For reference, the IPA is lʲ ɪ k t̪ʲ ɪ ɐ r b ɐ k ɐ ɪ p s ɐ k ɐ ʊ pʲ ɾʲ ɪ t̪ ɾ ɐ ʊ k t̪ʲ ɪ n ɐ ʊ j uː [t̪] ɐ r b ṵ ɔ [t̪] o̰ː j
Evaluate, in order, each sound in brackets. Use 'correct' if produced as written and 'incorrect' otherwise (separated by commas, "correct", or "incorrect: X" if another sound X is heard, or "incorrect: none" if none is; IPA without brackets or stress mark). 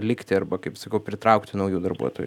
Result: incorrect: d̪, correct